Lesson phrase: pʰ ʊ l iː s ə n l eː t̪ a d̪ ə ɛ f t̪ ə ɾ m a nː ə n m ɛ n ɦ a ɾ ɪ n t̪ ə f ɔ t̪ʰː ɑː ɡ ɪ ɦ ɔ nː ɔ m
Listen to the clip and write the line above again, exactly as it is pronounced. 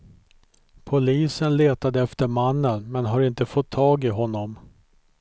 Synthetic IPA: pʰ ʊ l iː s ə n l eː t̪ a d̪ ə ɛ f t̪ ə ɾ m a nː ə n m ɛ n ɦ a ɾ ɪ n t̪ ə f ɔ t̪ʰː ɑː ɡ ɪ ɦ ɔ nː ɔ m

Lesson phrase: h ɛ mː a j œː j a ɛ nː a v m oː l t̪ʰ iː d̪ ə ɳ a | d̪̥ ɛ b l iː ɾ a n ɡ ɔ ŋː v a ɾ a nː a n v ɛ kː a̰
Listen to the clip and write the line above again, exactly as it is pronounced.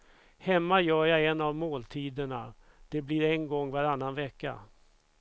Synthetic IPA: h ɛ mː a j œː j a ɛ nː a v m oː l t̪ʰ iː d̪ ə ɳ a | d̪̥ ɛ b l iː ɾ ɛ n ɡ ɔ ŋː v a ɾ a nː a n v ɛ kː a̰

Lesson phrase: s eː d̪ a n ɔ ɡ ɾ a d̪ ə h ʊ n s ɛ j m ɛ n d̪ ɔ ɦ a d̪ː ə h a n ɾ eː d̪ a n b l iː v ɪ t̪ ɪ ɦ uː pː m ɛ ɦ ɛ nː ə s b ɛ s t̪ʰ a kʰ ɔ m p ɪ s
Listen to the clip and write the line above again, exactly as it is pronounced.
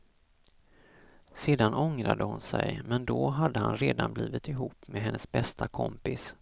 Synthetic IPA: s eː d̪ a n ɔ ŋ ɾ a d̪ ə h ʊ n s ɛ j m ɛ n d̪ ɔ ɦ a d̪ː ə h a n ɾ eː d̪ a n b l iː v ɪ t̪ ɪ ɦ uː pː m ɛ ɦ ɛ nː ə s b ɛ s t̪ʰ a kʰ ɔ m p ɪ s

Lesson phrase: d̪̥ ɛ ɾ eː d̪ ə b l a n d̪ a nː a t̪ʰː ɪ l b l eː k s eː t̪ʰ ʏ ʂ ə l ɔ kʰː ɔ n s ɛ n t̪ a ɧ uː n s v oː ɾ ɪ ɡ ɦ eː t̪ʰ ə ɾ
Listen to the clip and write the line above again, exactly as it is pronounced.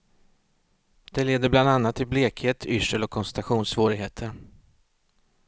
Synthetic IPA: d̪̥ ɛ l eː d̪ ə b l a n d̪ a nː a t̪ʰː ɪ l b l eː k h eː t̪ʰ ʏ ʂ ə l ɔ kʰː ɔ n s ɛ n t̪ a ɧ uː n s v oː ɾ ɪ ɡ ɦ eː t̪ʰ ə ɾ

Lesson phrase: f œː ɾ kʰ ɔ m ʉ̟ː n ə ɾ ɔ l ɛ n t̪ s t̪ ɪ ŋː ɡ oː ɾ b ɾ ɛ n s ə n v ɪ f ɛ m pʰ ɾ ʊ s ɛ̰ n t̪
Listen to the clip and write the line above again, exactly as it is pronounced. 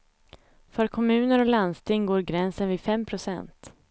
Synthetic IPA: f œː ɾ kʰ ɔ m ʉ̟ː n ə ɾ ɔ l a n d̪ s t̪ ɪ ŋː ɡ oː ɾ ɡ ɾ ɛ n s ə n v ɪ f ɛ m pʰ ɾ ʊ s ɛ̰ n t̪

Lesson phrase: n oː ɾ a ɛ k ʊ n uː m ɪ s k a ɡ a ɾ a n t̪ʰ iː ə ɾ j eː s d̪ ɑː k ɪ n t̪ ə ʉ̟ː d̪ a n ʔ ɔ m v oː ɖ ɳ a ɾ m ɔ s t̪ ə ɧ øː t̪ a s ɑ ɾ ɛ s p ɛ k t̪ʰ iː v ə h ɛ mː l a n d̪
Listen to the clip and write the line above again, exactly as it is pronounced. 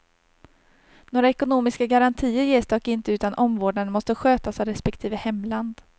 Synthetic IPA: n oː ɾ a ɛ k ʊ n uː m ɪ s k a ɡ a ɾ a n t̪ʰ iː ə ɾ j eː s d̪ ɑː k ɪ n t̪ ə ʉ̟ː t̪ a n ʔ ɔ m v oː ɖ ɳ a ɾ m ɔ s t̪ ə ɧ øː t̪ a s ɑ ɾ ɛ s p ɛ k t̪ʰ iː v ə h ɛ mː l a n d̪

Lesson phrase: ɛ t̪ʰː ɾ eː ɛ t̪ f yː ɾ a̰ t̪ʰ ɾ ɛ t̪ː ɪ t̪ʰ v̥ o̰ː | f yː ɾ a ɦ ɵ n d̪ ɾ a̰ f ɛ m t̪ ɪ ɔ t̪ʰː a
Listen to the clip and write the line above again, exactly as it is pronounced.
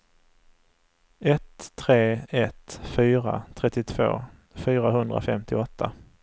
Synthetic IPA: ɛ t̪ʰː ɾ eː ɛ t̪ f yː ɾ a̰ t̪ʰ ɾ ɛ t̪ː ɪ t̪ʰ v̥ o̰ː | f yː ɾ a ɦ ɵ n d̪ ɾ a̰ f ɛ m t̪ ɪ ɔ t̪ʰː a

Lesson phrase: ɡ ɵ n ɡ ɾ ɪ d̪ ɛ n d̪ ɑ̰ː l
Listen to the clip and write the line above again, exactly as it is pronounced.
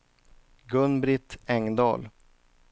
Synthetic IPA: ɡ ɵ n b ɾ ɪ t̪ ɛ ŋ d̪ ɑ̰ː l

